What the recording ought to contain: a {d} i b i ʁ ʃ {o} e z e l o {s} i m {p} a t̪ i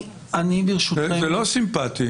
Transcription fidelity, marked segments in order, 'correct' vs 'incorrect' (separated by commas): incorrect, incorrect, correct, correct